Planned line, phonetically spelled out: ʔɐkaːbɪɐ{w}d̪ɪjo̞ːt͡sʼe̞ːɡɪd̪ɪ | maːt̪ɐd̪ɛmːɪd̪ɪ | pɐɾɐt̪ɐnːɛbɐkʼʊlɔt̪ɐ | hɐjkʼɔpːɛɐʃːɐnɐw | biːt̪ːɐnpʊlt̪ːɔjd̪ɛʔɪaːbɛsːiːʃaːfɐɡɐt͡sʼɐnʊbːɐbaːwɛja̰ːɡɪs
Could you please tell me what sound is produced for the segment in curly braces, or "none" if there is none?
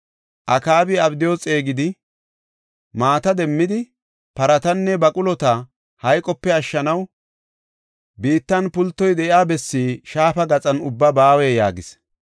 b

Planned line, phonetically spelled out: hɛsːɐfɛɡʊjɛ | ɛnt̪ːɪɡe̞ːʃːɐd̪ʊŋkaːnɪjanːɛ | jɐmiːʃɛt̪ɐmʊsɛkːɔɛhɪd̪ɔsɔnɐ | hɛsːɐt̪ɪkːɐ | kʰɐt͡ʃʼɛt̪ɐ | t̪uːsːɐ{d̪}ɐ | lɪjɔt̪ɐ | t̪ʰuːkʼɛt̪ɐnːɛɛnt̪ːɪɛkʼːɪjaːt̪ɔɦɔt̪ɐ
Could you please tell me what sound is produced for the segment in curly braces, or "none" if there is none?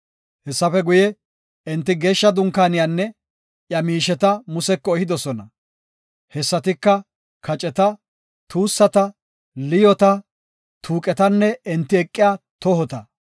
t̪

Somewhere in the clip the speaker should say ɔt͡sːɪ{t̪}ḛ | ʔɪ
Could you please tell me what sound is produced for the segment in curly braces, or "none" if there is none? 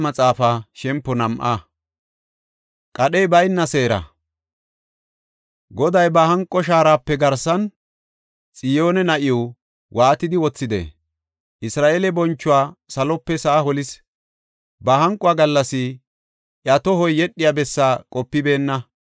d̪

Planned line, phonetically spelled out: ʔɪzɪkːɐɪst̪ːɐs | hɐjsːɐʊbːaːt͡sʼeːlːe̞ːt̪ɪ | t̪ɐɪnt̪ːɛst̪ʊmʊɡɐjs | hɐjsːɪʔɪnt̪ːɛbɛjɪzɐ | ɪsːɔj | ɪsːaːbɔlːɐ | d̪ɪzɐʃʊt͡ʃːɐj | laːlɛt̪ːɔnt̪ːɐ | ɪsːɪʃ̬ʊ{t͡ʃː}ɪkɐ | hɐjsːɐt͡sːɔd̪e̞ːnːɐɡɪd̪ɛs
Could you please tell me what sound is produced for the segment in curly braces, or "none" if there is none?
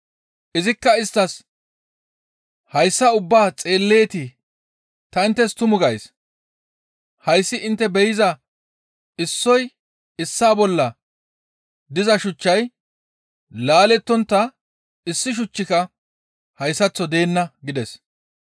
t͡ʃː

